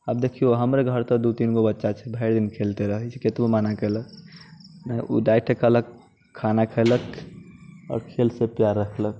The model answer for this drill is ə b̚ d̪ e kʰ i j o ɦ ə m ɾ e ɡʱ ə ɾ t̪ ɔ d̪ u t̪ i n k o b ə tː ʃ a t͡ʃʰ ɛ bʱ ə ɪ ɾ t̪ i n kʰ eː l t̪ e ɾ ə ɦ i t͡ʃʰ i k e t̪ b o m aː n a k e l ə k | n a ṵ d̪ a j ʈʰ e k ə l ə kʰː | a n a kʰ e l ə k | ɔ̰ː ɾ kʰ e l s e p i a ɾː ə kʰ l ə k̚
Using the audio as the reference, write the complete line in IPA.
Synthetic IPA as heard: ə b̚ d̪ e kʰ i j o ɦ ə m ɾ e ɡʱ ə ɾ t̪ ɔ d̪ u t̪ i n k o b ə tː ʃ a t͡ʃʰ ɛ bʱ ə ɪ ɾ d̪ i n kʰ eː l t̪ e ɾ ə ɦ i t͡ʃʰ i k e t̪ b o m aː n a k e l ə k | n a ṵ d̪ a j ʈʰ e k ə l ə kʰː | a n a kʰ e l ə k | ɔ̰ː ɾ kʰ e l s e p j a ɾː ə kʰ l ə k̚